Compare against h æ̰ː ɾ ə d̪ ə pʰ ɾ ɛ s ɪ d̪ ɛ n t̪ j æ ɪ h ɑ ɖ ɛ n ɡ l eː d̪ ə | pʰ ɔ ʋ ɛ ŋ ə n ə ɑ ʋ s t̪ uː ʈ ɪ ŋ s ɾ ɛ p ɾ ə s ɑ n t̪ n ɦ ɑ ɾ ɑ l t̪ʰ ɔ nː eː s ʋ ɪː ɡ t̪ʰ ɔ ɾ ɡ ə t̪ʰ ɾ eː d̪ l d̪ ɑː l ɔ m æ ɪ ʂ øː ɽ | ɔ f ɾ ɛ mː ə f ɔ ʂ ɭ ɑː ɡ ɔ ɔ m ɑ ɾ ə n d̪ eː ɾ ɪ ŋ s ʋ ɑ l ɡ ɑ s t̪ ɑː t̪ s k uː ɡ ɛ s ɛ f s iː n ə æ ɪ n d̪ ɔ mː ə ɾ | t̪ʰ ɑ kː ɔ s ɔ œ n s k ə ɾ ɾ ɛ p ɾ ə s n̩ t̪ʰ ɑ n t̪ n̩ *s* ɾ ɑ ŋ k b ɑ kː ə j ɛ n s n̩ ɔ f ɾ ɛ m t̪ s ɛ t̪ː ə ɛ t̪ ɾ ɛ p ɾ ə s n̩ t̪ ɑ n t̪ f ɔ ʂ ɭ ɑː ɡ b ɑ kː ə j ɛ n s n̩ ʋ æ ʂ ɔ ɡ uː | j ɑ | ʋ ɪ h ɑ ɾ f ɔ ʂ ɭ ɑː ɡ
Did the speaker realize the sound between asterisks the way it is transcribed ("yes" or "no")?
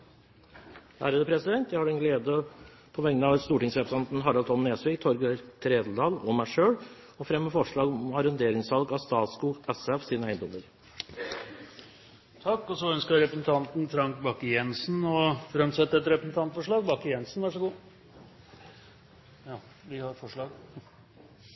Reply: no